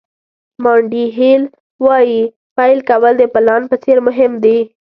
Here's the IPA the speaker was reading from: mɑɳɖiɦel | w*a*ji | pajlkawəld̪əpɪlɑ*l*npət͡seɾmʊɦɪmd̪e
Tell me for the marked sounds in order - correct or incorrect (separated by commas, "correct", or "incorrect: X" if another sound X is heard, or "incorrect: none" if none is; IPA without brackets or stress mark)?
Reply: incorrect: ɑ, incorrect: none